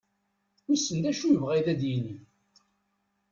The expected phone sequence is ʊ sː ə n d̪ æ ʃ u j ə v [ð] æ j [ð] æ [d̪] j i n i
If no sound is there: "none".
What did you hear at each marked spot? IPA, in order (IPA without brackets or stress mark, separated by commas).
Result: ʁ, ð, d̪